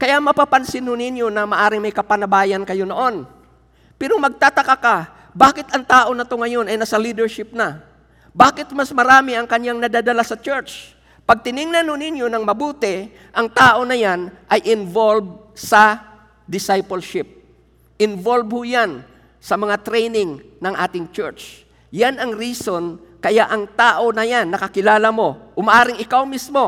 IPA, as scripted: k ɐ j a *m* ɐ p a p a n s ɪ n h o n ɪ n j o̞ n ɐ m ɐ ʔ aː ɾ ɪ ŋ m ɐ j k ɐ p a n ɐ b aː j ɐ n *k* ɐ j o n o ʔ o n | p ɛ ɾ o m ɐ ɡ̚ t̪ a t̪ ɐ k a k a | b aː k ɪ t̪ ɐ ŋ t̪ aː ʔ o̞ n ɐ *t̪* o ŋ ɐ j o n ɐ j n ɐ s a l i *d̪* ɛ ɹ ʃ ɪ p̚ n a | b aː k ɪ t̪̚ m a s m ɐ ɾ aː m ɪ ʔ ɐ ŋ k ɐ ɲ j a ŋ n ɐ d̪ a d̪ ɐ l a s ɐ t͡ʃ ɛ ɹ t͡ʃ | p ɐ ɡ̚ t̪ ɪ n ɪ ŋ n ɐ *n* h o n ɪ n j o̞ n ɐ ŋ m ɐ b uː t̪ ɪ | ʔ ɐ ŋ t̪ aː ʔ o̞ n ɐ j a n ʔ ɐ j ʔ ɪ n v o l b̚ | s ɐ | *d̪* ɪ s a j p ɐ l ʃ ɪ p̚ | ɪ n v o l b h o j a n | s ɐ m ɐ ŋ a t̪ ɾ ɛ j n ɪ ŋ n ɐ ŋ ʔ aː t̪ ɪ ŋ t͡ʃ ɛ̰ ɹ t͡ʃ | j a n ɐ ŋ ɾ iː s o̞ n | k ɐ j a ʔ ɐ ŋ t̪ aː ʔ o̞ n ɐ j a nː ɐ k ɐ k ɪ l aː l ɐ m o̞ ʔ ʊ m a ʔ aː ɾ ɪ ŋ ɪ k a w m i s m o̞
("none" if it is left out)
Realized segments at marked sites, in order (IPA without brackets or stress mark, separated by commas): m, k, t̪, d̪, n, d̪